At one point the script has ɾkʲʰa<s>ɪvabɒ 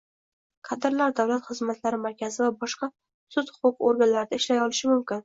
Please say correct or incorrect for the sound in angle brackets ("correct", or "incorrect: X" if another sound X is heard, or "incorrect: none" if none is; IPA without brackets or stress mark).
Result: incorrect: z